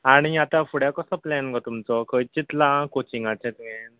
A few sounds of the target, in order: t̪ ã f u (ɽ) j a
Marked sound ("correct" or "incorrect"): correct